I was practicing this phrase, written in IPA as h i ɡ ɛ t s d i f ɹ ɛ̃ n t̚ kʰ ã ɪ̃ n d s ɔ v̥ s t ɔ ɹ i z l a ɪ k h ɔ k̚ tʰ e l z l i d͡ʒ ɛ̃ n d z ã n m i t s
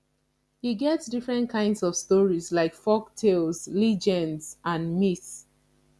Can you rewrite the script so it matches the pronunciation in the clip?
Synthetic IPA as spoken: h i ɡ ɛ t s d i f ɹ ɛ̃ n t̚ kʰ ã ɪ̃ n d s ɔ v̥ s t ɔ ɹ i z l a ɪ k f ɔ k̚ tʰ e l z l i d͡ʒ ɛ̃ n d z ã n m i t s